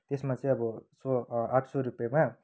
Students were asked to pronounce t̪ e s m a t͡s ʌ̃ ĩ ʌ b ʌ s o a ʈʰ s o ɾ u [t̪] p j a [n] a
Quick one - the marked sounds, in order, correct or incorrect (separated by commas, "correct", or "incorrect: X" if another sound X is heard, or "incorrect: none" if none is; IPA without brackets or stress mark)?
incorrect: none, incorrect: m